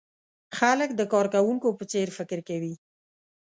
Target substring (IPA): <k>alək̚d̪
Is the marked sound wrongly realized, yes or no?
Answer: yes